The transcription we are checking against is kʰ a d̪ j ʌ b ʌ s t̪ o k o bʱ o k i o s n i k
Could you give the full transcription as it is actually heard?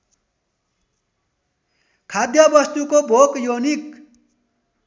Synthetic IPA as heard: kʰ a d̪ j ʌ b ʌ s t̪ u k o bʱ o k j o n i k